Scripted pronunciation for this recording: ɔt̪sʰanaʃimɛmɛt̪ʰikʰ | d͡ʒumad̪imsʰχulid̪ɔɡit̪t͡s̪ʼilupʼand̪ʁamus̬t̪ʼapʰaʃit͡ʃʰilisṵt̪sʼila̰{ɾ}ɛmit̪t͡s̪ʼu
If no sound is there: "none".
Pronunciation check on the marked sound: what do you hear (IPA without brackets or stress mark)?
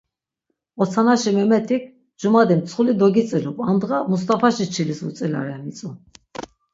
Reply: ɾ